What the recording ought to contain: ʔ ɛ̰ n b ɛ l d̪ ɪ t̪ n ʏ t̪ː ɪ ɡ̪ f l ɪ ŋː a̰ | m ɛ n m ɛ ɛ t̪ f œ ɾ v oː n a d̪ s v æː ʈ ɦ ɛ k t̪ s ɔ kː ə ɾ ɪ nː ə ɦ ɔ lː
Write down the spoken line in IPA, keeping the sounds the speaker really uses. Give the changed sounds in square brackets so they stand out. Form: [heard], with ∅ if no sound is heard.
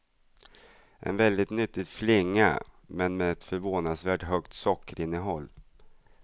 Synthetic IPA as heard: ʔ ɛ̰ n [v] ɛ l d̪ ɪ t̪ n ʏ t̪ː ɪ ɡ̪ f l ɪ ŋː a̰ | m ɛ n m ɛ ɛ t̪ f œ ɾ v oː n a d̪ s v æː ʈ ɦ [œ] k t̪ s ɔ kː ə ɾ ɪ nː ə ɦ ɔ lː